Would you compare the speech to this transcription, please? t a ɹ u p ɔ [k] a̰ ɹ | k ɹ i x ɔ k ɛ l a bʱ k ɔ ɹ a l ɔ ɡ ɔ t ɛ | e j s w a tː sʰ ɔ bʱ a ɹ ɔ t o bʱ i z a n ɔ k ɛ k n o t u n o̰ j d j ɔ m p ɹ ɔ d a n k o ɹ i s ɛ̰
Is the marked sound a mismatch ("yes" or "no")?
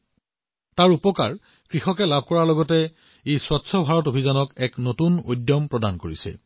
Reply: no